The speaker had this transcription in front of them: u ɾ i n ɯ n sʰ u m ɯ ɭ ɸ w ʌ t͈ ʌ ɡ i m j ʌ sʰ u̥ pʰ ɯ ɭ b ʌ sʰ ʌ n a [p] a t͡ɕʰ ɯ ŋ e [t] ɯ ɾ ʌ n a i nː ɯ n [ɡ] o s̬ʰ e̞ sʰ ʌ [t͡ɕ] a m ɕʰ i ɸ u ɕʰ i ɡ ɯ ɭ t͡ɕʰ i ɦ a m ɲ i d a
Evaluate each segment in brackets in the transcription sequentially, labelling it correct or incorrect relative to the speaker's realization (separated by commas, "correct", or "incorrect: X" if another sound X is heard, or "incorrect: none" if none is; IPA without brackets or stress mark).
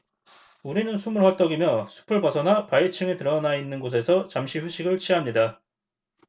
correct, correct, correct, correct